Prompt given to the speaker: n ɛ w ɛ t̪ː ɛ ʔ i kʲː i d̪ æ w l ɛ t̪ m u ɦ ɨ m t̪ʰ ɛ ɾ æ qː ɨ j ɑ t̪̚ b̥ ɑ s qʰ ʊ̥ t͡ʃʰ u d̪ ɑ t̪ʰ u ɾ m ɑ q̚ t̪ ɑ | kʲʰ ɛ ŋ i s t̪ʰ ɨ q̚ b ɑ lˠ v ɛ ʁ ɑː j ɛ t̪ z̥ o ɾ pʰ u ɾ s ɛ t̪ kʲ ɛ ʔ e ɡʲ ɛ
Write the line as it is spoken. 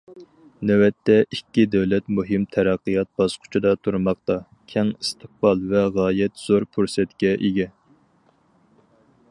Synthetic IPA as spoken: n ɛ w ɛ t̪ː ɛ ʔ i kʲː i d̪ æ w l ɛ t̪ m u ɦ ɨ m t̪ʰ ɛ ɾ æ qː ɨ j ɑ t̪̚ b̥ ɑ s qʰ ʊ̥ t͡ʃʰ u d̪ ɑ t̪ʰ u ɾ m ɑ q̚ t̪ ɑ | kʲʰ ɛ ŋ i s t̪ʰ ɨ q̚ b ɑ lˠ v ɛ ʁ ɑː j ɛ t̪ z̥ o ɾ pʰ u ɾ s ɛ t̪ kʲ ɛ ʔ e ɡʲ ɛ

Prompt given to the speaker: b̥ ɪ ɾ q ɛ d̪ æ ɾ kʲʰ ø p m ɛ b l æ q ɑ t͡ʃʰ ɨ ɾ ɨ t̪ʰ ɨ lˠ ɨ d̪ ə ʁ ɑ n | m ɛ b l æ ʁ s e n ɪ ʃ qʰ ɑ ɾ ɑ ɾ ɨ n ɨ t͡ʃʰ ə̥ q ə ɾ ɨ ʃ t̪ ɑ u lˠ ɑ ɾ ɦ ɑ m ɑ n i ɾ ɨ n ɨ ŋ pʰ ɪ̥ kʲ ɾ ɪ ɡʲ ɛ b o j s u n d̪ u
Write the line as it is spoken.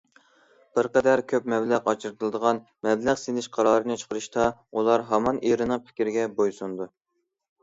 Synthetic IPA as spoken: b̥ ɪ ɾ q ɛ d̪ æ ɾ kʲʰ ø p m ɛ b l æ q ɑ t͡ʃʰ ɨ ɾ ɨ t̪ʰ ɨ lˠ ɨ d̪ ə ʁ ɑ n | m ɛ b l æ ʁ s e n ɪ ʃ qʰ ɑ ɾ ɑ ɾ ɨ n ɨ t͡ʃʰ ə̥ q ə ɾ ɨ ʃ t̪ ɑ u lˠ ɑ ɾ ɦ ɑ m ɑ n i ɾ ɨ n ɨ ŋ pʰ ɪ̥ kʲ ɾ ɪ ɡʲ ɛ b o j s u n d̪ u

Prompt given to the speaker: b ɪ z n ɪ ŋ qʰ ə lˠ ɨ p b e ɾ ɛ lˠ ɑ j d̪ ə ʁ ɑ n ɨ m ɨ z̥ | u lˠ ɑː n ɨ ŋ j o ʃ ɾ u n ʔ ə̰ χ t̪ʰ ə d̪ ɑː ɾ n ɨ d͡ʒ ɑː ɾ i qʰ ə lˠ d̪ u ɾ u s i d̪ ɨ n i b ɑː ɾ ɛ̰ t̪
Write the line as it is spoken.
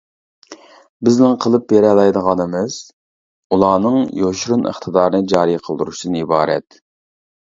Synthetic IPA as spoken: b ɪ z n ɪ ŋ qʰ ə lˠ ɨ p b e ɾ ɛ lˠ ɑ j d̪ ə ʁ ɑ n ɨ m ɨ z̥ | u lˠ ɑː n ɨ ŋ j o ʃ ɾ u n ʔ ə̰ χ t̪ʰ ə d̪ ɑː ɾ n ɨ d͡ʒ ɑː ɾ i qʰ ə lˠ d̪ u ɾ u ʃ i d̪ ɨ n i b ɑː ɾ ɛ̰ t̪

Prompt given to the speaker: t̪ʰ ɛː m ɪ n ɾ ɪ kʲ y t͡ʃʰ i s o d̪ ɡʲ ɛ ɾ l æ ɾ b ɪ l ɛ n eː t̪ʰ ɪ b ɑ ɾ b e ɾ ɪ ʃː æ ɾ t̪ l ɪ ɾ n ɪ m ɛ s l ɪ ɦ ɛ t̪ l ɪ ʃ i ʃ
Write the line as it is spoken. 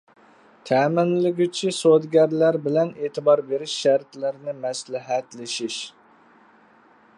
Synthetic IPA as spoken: t̪ʰ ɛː m ɪ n l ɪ ɡʲ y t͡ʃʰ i s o d̪ ɡʲ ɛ ɾ l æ ɾ b ɪ l ɛ n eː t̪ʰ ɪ b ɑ ɾ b e ɾ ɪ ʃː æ ɾ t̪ l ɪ ɾ n ɪ m ɛ s l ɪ ɦ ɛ t̪ l ɪ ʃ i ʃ

